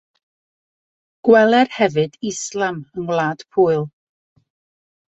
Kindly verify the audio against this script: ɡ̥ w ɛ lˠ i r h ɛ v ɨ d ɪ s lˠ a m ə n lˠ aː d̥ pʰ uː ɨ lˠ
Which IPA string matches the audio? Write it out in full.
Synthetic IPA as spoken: ɡ̥ w ɛ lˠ ɛ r h ɛ v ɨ d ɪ s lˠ a m ə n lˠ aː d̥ pʰ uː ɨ lˠ